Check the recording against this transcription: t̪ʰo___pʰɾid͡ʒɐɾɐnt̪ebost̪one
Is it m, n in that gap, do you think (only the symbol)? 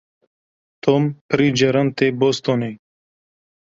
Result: m